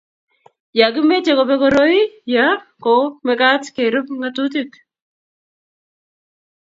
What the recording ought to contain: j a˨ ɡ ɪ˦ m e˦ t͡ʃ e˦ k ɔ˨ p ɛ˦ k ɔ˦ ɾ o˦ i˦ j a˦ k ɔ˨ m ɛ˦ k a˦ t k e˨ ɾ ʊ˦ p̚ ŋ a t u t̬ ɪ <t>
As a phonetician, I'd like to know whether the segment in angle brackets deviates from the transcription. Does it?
yes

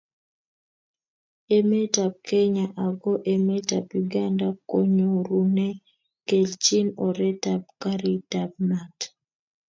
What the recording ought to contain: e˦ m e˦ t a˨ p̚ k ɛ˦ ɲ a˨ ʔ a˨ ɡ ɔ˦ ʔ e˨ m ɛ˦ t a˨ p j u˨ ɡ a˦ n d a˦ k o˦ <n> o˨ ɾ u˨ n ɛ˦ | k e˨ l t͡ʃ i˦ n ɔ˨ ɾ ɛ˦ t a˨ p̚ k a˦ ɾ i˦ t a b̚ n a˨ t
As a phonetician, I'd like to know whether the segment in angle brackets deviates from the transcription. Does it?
yes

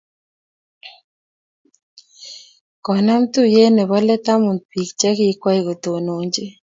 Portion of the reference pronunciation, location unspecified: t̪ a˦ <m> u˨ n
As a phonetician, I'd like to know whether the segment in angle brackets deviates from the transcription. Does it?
no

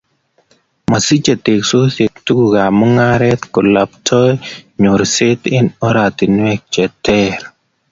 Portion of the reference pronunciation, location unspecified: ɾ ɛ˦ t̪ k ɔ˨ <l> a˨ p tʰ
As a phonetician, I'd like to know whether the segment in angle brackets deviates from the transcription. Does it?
no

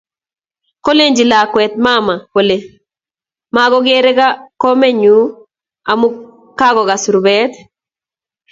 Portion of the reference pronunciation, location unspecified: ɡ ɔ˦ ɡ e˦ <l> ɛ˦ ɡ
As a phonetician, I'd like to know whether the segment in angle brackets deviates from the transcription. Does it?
yes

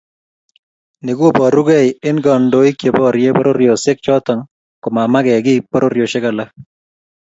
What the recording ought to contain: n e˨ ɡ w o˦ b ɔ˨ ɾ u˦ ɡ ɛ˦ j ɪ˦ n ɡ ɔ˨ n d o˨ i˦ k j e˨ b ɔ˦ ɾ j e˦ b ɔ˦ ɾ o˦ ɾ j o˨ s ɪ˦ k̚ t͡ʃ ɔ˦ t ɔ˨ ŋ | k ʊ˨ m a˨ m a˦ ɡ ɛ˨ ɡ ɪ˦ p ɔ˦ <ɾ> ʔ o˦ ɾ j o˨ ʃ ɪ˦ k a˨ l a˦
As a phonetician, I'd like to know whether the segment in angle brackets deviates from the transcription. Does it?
no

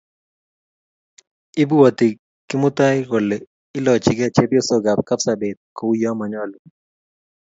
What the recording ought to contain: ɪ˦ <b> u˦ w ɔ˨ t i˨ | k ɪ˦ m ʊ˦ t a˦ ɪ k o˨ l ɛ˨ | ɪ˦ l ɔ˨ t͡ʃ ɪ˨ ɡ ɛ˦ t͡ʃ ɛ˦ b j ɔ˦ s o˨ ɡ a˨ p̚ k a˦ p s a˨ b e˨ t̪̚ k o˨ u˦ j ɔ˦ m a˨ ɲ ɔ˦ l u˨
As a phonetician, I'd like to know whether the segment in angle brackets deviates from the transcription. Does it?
no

